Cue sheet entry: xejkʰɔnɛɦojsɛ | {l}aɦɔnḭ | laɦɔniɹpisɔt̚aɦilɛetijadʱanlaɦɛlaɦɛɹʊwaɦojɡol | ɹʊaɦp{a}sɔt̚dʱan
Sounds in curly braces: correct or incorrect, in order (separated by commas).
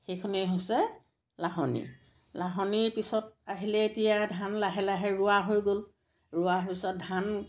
correct, incorrect